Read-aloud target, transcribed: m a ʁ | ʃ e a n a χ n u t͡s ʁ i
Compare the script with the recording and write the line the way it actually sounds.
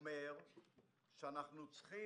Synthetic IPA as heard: m e ʁ | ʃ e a n a χ n u t͡s χ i